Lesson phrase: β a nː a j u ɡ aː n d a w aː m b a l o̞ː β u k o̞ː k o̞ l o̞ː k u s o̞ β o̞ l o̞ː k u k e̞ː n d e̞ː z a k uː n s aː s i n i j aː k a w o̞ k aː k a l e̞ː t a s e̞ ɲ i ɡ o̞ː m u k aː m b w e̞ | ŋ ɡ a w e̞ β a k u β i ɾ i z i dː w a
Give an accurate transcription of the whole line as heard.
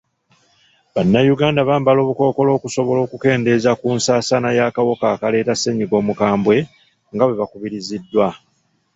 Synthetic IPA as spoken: β a nː a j u ɡ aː n d a β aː m b a l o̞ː β u k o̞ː k o̞ l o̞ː k u s o̞ β o̞ l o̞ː k u k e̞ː n d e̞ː z a k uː n s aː s a n a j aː k a w o̞ k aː k a l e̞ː t a s e̞ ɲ i ɡ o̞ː m u k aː m b w e̞ | ŋ ɡ a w e̞ β a k u β i ɾ i z i dː w a